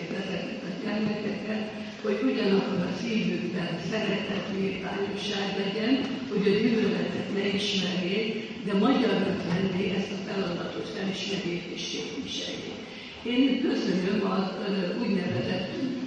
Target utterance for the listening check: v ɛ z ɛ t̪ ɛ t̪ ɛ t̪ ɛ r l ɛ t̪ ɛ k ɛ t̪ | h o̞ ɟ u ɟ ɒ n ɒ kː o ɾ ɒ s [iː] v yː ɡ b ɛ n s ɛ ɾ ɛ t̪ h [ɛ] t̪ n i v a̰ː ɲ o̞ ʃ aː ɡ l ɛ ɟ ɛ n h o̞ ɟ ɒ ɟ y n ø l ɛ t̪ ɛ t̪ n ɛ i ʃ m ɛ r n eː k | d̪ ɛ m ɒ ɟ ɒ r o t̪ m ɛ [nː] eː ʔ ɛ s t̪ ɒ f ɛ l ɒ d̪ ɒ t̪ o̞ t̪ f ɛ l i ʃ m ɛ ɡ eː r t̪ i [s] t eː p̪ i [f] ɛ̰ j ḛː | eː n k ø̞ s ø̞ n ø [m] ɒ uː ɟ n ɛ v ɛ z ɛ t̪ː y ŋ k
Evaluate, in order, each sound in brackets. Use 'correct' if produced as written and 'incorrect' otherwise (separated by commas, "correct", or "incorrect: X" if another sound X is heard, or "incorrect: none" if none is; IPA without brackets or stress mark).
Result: correct, correct, correct, incorrect: ʃ, incorrect: ʃ, correct